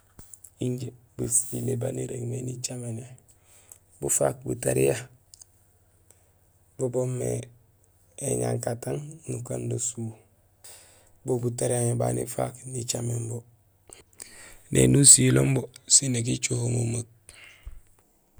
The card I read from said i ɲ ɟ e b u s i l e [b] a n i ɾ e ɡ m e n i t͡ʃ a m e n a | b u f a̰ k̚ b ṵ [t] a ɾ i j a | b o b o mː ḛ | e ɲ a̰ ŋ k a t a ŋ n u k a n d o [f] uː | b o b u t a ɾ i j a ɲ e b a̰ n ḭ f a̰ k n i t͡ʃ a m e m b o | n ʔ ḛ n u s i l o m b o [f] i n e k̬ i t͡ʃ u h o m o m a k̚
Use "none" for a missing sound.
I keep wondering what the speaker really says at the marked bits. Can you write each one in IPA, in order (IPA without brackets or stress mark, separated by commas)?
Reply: b, t, s, s